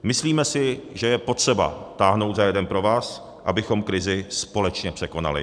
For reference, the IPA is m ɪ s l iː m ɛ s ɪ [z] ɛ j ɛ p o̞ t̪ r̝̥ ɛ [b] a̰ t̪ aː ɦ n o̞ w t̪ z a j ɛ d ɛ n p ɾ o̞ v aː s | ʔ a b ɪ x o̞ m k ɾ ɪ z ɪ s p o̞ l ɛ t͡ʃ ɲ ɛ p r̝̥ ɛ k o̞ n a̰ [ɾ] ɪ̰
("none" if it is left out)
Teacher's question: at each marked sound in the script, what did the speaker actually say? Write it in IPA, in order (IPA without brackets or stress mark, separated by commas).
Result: ʒ, b, l